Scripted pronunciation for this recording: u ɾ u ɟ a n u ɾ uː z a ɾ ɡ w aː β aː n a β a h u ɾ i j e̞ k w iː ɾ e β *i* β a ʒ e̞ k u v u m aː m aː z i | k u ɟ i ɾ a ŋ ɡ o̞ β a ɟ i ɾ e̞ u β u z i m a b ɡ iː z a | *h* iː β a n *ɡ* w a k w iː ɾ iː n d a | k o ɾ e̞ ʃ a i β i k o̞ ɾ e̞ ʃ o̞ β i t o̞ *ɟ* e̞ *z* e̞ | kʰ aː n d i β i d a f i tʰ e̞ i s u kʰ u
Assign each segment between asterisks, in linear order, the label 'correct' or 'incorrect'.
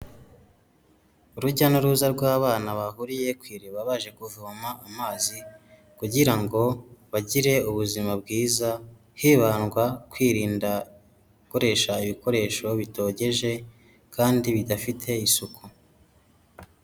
incorrect, correct, correct, correct, incorrect

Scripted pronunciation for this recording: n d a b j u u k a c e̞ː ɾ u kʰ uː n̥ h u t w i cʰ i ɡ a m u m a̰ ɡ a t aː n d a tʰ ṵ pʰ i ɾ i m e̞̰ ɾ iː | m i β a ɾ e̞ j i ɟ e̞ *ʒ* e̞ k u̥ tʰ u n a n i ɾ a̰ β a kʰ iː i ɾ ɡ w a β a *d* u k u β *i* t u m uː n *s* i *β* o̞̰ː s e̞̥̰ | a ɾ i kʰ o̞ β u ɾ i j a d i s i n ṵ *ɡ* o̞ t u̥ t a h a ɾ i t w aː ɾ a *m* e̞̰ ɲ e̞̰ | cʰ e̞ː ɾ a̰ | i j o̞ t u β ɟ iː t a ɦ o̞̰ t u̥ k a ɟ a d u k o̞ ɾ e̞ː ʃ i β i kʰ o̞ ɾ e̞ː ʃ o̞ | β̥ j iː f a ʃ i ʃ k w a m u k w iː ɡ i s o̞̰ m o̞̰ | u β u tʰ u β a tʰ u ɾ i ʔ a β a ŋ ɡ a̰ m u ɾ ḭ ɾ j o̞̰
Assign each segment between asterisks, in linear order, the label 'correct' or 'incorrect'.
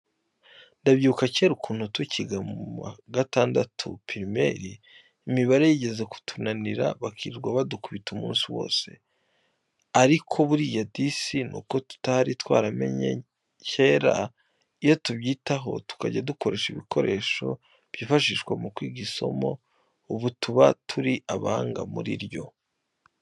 incorrect, correct, correct, correct, incorrect, incorrect, correct

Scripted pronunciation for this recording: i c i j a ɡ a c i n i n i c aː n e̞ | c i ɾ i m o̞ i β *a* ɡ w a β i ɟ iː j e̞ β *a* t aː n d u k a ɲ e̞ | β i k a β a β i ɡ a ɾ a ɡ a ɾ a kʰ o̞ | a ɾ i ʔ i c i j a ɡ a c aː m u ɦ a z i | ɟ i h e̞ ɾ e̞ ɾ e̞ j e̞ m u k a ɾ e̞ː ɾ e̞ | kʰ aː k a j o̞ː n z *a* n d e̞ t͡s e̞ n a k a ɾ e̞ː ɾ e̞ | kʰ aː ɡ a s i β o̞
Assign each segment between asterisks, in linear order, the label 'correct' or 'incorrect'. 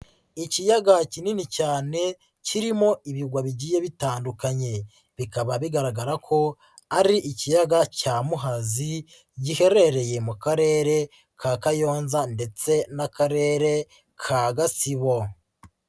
incorrect, incorrect, correct

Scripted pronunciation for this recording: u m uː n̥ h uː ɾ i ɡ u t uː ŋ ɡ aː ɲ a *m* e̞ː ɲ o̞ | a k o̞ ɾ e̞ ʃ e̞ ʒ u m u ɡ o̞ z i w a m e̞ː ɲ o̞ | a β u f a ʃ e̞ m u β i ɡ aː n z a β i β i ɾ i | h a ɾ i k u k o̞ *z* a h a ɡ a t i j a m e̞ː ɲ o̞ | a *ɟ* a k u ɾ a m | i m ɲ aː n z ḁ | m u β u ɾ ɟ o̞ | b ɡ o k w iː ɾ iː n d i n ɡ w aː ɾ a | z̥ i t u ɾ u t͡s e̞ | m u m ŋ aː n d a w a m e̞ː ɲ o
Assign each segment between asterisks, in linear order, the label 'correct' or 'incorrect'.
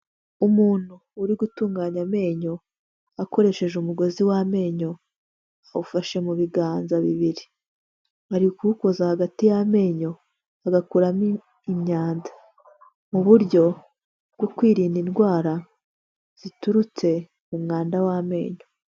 correct, correct, incorrect

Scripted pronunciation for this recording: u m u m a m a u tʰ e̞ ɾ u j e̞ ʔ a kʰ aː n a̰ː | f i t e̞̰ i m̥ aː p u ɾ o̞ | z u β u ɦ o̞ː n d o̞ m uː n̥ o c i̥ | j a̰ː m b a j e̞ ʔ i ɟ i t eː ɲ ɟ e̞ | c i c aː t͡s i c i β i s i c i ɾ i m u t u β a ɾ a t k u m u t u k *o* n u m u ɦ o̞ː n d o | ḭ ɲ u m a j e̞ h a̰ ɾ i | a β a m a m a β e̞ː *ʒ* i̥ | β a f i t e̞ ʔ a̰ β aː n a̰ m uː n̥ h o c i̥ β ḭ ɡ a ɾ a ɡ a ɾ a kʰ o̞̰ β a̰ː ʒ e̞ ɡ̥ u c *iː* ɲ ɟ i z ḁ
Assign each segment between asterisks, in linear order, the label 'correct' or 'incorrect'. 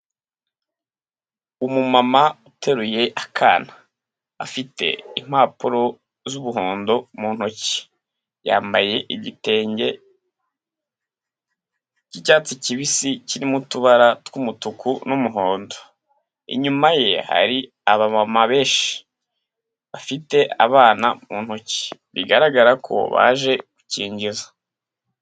incorrect, incorrect, correct

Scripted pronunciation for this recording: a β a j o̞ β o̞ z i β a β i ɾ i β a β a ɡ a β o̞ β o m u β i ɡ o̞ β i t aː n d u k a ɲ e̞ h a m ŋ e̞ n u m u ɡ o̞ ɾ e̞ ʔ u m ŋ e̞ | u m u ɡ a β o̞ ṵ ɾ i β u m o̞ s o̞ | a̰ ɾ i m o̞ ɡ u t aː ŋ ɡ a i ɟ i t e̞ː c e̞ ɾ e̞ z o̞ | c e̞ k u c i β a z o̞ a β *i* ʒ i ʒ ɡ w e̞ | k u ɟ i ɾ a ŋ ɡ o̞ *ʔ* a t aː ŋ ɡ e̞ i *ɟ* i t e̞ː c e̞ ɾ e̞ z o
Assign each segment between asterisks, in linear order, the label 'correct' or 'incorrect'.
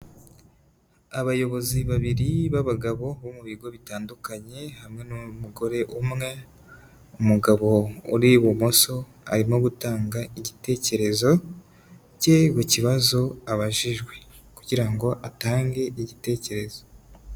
incorrect, correct, correct

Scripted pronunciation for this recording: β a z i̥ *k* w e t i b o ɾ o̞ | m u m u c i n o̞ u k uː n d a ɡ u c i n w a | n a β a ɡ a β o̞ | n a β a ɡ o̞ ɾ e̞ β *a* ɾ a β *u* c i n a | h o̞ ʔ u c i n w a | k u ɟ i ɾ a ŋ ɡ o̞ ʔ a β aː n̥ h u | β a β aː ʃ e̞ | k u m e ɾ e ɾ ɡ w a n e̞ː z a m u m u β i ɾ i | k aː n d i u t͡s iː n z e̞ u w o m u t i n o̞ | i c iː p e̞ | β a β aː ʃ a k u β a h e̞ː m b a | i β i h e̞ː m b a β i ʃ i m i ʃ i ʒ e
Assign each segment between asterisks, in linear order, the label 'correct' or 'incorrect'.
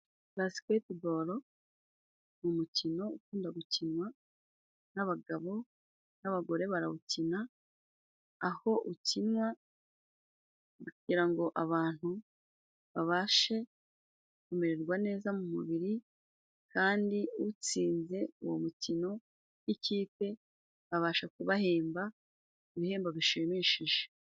correct, correct, correct

